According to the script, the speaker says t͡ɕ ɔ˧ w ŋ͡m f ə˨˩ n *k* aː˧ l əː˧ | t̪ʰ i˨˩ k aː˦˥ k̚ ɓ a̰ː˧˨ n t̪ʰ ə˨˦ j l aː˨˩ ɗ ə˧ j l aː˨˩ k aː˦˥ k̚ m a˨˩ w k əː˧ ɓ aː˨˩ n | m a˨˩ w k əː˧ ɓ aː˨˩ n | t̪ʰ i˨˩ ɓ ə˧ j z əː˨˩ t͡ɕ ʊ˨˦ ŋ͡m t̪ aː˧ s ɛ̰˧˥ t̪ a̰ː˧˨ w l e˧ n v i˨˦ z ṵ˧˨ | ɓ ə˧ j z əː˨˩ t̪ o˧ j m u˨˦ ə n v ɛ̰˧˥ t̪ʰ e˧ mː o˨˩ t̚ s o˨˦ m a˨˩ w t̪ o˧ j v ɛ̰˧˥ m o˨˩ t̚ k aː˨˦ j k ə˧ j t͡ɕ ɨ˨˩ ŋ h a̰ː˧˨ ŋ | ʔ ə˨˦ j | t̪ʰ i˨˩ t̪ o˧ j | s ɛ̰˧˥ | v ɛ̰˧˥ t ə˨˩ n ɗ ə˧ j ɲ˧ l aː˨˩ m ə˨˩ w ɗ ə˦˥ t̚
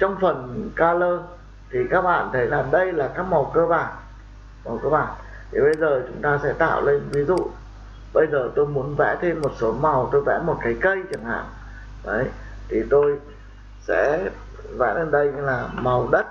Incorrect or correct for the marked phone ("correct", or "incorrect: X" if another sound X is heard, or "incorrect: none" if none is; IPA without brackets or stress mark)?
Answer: correct